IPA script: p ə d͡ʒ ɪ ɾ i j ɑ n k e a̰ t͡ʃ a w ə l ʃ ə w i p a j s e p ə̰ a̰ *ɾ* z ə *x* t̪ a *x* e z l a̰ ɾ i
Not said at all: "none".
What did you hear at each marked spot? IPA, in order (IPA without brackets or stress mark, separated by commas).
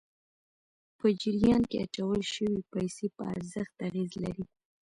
ɾ, x, ɣ